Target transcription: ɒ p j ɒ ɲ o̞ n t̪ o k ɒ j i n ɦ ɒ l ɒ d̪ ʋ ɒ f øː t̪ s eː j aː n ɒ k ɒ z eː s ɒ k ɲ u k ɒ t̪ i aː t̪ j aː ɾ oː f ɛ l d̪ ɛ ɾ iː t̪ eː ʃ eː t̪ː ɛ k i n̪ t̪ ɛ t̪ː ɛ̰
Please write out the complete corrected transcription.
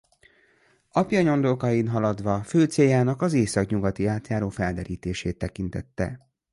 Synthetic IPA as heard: ɒ p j ɒ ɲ o̞ n d̪ o k ɒ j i n ɦ ɒ l ɒ d̪ ʋ ɒ f øː t̪ s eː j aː n ɒ k ɒ z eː s ɒ k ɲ u ɡ ɒ t̪ i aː t̪ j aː ɾ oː f ɛ l d̪ ɛ ɾ iː t̪ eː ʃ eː t̪ː ɛ k i n̪ t̪ ɛ t̪ː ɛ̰